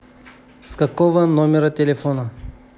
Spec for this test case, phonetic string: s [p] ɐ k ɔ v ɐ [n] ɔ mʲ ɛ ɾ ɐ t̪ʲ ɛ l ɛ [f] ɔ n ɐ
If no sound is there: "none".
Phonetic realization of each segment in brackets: k, n, f

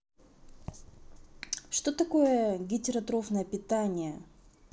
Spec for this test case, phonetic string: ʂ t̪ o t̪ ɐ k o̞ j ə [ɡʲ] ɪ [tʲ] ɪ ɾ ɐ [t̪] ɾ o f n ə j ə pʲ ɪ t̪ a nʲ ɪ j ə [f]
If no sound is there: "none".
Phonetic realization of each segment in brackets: ɡʲ, tʲ, t̪, none

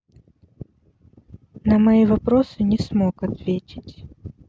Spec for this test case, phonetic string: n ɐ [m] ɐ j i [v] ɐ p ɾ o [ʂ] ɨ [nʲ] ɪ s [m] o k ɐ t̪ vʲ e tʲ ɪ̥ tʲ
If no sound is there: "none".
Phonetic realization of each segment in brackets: m, v, s, nʲ, m

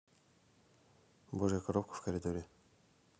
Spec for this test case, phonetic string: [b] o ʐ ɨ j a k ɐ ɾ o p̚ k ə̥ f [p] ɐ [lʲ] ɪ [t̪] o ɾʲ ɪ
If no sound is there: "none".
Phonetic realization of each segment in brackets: b, k, ɾʲ, d̪

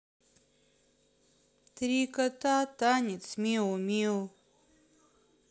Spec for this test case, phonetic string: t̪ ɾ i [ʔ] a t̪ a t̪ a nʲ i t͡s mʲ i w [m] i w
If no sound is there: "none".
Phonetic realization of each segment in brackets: k, m

